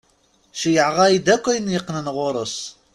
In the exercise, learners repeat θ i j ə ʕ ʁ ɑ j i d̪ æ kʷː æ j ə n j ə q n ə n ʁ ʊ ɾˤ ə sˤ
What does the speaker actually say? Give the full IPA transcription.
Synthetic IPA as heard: ʃ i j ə ʕ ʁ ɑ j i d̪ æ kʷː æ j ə n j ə q n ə n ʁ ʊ ɾˤ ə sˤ